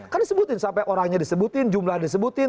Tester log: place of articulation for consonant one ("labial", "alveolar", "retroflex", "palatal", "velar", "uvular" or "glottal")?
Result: velar